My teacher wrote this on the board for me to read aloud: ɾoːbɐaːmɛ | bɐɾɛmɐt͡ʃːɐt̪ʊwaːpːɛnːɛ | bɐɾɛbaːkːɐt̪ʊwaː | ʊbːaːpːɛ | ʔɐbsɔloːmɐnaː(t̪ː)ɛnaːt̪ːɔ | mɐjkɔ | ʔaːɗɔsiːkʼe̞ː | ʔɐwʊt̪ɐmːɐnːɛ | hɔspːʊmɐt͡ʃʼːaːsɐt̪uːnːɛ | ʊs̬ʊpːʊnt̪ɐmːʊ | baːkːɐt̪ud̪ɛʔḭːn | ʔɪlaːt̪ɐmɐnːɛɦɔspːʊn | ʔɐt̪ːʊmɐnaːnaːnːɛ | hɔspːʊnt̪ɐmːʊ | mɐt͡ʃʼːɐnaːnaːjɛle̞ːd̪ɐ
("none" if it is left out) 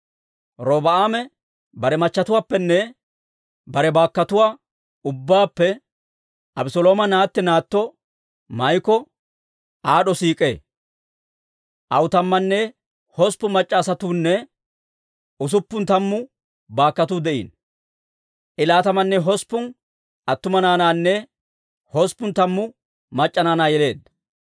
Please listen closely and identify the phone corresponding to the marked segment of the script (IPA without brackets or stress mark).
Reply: t̪ː